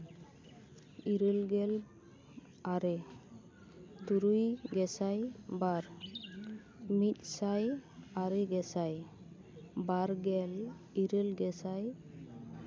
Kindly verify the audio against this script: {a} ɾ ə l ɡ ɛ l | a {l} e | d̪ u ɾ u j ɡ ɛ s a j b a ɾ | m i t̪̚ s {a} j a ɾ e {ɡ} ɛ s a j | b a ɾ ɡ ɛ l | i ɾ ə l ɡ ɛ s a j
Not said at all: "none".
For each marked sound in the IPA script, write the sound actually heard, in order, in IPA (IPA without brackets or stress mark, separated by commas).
i, ɾ, a, ɡ